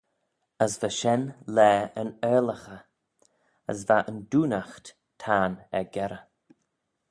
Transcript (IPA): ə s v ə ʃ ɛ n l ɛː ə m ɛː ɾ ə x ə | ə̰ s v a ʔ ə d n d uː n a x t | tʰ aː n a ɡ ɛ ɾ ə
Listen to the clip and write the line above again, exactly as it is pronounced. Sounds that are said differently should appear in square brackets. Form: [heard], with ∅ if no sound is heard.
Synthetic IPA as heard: ə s v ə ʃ ɛ n l ɛː ə [n] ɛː [l] ə x ə | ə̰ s v a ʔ ə [∅] n d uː n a x t | tʰ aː n [ɛ] ɡ ɛ ɾ ə